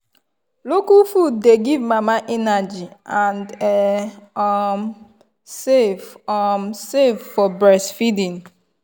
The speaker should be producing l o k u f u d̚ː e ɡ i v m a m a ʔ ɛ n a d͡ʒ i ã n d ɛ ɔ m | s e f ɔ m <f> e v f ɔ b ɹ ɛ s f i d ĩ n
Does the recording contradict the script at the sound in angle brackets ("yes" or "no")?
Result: yes